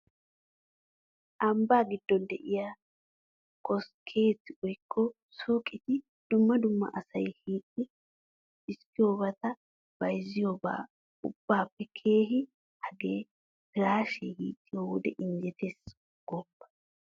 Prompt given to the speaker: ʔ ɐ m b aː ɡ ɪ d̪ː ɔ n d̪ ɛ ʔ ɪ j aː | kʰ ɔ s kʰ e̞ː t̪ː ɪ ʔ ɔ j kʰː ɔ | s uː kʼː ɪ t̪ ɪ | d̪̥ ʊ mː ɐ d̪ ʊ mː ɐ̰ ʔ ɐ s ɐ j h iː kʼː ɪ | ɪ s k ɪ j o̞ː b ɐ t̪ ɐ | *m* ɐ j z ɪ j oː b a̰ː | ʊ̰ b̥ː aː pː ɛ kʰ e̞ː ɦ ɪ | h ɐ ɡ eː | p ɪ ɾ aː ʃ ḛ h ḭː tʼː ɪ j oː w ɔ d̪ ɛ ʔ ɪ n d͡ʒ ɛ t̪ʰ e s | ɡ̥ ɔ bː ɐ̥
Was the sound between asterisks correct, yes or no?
no